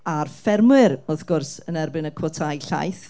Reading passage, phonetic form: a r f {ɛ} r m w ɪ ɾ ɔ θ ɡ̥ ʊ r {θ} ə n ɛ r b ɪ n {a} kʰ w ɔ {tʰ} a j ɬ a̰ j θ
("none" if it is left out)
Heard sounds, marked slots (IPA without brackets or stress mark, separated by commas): ɛ, s, ə, tʰ